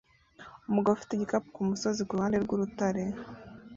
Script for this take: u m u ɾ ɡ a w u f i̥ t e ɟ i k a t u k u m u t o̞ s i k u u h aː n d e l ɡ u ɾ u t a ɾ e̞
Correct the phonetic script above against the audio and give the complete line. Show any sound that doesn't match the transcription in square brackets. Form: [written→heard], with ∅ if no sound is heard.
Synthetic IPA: u m u [ɾ→∅] ɡ a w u f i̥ t e ɟ i k a [t→p] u k u m u [t→s] o̞ [s→z] i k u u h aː n d e [l→ɾ] ɡ u ɾ u t a ɾ e̞